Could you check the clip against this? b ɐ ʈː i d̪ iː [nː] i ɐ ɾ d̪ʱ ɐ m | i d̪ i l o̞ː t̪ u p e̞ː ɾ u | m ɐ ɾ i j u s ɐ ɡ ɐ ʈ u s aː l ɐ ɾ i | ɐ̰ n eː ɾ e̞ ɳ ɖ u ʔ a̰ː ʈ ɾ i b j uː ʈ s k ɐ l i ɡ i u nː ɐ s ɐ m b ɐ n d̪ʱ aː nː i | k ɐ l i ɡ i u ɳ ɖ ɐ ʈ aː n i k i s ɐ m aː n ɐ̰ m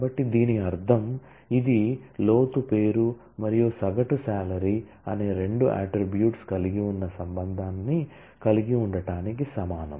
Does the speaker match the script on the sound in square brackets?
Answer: no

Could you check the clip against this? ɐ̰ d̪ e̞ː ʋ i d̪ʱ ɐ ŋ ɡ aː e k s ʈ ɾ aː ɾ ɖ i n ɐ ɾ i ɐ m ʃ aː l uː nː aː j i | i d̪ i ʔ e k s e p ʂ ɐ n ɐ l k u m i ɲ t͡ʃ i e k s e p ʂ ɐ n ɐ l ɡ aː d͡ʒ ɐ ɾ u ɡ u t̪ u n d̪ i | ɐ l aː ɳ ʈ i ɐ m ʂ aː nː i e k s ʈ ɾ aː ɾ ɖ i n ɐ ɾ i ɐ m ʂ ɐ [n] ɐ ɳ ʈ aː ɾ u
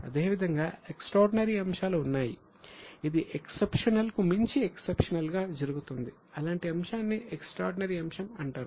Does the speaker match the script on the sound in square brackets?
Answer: no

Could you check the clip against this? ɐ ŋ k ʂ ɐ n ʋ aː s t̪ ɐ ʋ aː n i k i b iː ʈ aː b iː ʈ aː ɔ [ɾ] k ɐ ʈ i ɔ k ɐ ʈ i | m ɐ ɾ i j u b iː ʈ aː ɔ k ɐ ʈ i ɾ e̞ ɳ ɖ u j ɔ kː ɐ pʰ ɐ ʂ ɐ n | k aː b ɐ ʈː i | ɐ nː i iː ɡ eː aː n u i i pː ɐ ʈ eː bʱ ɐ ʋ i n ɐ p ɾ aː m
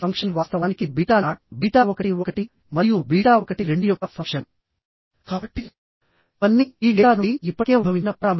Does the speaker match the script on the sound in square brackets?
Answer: no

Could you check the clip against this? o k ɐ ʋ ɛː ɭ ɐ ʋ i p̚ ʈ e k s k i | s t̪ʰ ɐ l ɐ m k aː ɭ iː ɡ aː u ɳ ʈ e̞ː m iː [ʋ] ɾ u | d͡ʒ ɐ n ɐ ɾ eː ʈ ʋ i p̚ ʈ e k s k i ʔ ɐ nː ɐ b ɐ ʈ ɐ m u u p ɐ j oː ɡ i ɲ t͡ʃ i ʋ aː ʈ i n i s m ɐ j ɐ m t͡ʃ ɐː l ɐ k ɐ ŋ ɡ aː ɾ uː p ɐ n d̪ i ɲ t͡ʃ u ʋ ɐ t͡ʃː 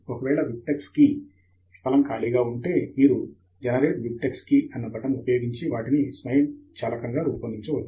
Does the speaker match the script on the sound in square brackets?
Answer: no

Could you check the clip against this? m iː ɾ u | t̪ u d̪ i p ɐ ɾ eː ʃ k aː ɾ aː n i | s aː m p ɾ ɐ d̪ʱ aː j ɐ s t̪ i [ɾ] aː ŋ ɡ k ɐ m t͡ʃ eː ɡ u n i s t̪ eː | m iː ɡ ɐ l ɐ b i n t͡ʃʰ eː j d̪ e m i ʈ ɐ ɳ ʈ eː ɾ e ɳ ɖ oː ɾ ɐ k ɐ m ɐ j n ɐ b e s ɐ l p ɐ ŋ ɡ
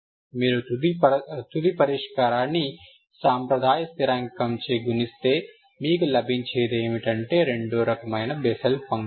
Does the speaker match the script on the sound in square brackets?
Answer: yes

